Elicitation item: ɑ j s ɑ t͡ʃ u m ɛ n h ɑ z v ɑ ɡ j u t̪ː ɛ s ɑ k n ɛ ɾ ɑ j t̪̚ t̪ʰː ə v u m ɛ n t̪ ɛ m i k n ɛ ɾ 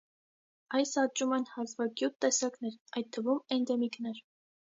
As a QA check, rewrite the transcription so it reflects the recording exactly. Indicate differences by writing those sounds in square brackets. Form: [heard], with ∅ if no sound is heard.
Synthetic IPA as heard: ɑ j s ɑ t͡ʃ u m ɛ n h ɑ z v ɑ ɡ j u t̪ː ɛ s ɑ k n ɛ ɾ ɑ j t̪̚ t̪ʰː ə v u m ɛ n [d̪] ɛ m i k n ɛ ɾ